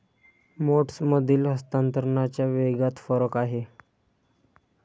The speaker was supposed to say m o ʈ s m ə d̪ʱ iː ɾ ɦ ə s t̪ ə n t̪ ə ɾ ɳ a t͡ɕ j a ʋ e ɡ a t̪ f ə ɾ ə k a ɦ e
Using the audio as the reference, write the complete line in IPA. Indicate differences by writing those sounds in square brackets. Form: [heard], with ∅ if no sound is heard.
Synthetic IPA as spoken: m o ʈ s m ə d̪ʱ iː [l] ɦ ə s t̪ [a] n t̪ ə ɾ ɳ a t͡ɕ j a ʋ e ɡ a t̪ f ə ɾ ə k a ɦ e